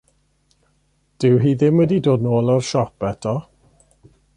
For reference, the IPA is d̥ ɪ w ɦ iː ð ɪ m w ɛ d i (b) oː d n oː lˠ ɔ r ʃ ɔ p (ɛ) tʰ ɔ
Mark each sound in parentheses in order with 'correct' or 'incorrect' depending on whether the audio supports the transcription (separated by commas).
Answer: incorrect, correct